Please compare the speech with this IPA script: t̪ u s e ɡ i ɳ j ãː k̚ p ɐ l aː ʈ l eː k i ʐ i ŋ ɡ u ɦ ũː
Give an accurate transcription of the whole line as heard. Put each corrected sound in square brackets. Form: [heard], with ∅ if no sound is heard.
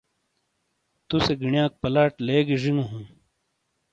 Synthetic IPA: t̪ u s e ɡ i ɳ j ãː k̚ p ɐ l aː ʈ l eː [ɡ] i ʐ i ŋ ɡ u ɦ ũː

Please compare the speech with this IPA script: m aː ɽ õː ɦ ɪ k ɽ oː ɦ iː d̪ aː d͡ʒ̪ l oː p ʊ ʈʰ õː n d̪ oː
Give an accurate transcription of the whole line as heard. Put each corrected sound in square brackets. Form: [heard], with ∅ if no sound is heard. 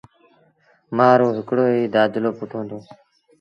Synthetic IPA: m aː [ɾ] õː ɦ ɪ k ɽ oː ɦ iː d̪ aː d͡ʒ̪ l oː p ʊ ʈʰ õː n d̪ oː

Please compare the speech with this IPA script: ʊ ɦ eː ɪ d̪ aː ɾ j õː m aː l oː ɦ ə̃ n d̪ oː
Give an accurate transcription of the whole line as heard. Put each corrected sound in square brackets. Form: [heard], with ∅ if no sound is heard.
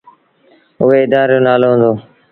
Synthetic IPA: ʊ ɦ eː ɪ d̪ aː ɾ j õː [n] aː l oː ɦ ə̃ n d̪ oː

